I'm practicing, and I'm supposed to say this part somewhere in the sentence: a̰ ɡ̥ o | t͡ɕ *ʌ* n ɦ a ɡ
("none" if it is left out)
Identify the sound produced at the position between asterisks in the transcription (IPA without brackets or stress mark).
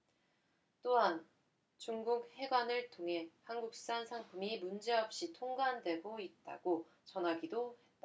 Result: ʌ